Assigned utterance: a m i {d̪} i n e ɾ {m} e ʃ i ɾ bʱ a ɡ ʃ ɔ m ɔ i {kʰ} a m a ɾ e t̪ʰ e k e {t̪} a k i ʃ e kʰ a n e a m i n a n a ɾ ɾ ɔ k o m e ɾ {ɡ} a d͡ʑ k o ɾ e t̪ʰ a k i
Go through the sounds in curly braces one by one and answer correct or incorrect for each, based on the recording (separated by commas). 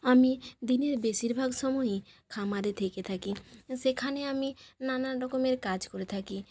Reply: correct, incorrect, correct, incorrect, incorrect